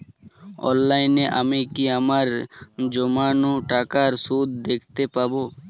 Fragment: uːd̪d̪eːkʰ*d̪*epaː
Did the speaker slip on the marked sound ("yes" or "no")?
yes